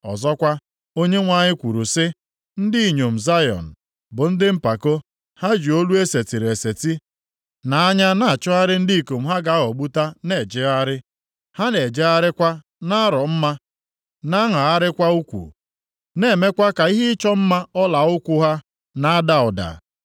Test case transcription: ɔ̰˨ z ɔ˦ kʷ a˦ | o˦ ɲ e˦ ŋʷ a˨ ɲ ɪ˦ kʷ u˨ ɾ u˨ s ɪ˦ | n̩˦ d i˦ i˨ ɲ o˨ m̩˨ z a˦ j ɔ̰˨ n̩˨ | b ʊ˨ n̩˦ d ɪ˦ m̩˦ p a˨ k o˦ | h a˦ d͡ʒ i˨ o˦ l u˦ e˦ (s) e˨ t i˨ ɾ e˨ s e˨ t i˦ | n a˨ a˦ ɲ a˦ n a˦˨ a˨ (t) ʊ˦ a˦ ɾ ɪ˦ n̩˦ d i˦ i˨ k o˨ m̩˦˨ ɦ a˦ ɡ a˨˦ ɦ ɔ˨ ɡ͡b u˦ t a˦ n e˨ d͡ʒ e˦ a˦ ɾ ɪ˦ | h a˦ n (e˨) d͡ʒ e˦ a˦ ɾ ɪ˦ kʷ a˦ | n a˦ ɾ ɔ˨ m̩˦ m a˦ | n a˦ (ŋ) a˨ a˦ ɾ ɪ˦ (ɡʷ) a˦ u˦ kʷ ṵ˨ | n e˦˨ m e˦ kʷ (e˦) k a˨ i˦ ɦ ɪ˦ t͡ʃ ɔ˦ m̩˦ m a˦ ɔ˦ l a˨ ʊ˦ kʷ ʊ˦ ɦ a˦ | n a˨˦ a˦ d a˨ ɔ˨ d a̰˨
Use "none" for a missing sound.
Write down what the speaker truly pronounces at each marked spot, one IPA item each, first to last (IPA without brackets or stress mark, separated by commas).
s, t͡ʃ, e˨, ŋ, kʷ, a˦